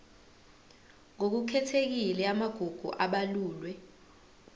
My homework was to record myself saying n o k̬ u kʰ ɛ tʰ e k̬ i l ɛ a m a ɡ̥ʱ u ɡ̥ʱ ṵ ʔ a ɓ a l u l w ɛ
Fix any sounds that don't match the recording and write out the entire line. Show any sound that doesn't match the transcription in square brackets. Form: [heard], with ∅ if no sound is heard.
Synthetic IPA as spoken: [ŋ] o k̬ u kʰ ɛ tʰ e k̬ i l ɛ a m a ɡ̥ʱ u ɡ̥ʱ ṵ ʔ a ɓ a l [uː] l w ɛ